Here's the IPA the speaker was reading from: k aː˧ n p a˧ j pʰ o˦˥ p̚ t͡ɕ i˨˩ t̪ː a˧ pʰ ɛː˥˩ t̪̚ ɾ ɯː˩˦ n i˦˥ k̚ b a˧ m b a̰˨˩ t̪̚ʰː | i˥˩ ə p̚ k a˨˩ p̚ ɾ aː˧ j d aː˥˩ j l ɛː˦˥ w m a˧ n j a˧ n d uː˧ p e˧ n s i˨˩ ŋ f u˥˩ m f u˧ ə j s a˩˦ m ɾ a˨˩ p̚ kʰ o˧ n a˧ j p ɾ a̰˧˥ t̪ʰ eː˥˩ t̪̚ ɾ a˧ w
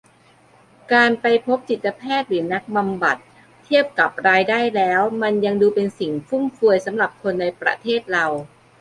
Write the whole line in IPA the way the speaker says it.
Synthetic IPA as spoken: k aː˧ n p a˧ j pʰ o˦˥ p̚ t͡ɕ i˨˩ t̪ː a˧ pʰ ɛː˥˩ t̪̚ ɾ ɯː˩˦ n a˦˥ k̚ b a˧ m b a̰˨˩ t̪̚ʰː | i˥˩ ə p̚ k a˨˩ p̚ ɾ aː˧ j d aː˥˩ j l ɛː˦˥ w m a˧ n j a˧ ŋ d uː˧ p e˧ n s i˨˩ ŋ f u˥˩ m f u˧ ə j s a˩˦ m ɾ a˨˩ p̚ kʰ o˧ nː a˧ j p ɾ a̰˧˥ t̪ʰ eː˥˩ t̪̚ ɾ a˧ w